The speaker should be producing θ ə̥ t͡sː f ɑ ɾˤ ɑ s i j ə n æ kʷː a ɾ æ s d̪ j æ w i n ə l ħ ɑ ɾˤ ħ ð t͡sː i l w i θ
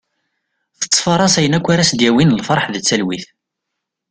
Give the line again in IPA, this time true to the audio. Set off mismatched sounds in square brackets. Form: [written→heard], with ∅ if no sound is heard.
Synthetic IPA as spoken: θ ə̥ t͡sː f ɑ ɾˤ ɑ s [i→æ] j ə n æ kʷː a ɾ æ s d̪ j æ w i n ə l [ħ→f] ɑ ɾˤ ħ ð t͡sː [i→æ] l w i θ